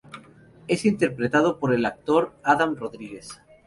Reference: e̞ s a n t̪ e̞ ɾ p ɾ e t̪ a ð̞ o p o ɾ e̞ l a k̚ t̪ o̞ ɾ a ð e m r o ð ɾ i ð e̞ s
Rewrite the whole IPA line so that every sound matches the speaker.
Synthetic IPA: e̞ s i n t̪ e̞ ɾ p ɾ e t̪ a ð̞ o p o ɾ e̞ l a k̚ t̪ o̞ ɾ a ð a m r o ð ɾ i ɣ e̞ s